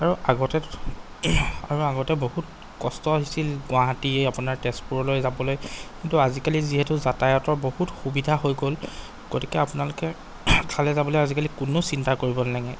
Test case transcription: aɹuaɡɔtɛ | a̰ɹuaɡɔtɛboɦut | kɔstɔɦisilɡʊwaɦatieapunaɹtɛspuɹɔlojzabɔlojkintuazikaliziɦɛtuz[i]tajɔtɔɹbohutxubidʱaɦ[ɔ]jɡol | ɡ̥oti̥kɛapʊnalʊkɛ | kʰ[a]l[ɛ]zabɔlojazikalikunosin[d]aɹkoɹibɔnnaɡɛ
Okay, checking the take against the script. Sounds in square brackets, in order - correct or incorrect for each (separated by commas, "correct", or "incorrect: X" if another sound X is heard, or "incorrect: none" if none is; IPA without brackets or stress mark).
incorrect: a, incorrect: o, correct, correct, incorrect: t